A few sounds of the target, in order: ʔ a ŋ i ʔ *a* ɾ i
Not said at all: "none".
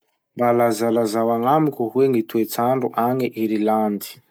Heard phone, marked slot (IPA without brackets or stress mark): i